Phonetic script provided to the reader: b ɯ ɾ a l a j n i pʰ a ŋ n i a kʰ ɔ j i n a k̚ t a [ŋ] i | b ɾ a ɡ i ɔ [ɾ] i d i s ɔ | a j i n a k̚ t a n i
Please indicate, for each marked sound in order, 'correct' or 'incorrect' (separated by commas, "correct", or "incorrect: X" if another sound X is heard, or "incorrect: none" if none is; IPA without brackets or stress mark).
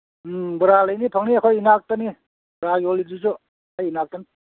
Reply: incorrect: n, incorrect: l